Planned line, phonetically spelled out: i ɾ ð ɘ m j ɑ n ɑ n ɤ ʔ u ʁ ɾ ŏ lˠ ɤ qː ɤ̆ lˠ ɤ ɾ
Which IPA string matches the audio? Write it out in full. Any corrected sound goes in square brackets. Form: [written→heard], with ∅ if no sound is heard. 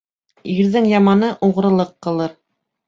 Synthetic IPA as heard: i ɾ ð ɘ [m→ŋ] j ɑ [n→m] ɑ n ɤ ʔ u ʁ ɾ [ŏ→ɤ̆] lˠ ɤ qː ɤ̆ lˠ ɤ ɾ